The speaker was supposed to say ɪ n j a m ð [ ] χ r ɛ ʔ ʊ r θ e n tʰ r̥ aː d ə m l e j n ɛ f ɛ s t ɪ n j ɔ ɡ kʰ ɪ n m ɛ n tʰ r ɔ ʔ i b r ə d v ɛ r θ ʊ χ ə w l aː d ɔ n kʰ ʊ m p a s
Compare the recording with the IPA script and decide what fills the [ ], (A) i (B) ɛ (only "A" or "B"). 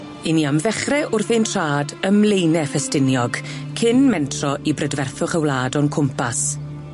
B